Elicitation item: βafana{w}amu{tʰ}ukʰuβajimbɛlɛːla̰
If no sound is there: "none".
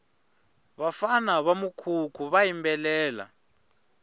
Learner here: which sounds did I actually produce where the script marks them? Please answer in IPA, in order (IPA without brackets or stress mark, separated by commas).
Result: β, kʰ